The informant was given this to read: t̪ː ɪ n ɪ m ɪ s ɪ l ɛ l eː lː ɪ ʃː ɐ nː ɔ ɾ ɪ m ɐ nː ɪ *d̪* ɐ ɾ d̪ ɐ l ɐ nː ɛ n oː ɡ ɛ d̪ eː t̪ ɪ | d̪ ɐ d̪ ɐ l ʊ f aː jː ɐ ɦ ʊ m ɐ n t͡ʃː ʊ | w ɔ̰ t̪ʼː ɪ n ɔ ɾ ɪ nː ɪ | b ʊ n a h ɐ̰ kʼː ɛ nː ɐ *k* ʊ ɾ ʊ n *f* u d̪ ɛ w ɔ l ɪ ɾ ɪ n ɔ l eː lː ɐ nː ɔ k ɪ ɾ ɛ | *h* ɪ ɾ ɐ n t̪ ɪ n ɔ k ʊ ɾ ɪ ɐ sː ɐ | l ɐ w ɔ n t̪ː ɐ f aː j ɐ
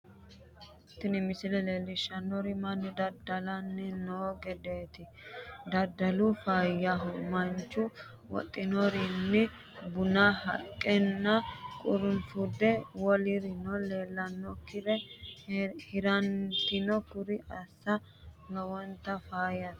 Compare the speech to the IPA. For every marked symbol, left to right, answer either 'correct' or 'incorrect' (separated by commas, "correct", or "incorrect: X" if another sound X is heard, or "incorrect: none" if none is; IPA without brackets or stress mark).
correct, incorrect: kʼ, correct, correct